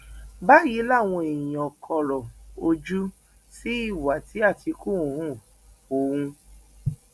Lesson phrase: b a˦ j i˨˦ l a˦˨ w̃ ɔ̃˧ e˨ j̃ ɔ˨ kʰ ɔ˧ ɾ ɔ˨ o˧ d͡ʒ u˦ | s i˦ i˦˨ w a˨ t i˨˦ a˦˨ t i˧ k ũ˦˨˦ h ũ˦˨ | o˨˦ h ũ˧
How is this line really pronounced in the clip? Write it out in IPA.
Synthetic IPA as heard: b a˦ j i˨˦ l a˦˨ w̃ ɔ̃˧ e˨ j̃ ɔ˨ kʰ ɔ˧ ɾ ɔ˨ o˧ d͡ʒ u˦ | s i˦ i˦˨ w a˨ t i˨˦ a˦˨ t i˧ k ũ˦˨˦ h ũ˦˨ | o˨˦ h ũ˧